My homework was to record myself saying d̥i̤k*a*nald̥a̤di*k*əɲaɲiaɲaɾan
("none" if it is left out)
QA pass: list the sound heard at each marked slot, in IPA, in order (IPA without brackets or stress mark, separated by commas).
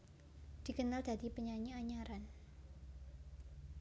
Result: ə, p